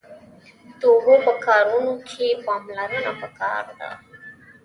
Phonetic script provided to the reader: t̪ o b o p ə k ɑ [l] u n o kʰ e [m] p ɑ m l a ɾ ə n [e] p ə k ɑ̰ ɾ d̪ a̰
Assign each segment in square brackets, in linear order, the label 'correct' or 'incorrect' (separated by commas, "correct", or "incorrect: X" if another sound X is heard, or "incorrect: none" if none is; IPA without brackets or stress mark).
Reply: incorrect: ɾ, incorrect: none, incorrect: a